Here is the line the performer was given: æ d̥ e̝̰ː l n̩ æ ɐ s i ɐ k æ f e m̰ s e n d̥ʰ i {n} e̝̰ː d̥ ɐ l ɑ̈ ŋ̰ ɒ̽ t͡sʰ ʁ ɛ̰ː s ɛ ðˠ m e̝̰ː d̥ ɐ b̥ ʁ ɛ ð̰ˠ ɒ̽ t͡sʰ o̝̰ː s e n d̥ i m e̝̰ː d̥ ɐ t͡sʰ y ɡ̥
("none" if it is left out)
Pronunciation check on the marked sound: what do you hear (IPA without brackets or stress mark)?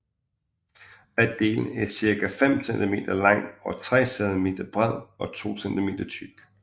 m